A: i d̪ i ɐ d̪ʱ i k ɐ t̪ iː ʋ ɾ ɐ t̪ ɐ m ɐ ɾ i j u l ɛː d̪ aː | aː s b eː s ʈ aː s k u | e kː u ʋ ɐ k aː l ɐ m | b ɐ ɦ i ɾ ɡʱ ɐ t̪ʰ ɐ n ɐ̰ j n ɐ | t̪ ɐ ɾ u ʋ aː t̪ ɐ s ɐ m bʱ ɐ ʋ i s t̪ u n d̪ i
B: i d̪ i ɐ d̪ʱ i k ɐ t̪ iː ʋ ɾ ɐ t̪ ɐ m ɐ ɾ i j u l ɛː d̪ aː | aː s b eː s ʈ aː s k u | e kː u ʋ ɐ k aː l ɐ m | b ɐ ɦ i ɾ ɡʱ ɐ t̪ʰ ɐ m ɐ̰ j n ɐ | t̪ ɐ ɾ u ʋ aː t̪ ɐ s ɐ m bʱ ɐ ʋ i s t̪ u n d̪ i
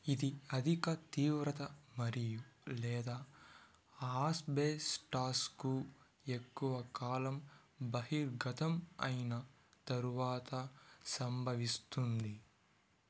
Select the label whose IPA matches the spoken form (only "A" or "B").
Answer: B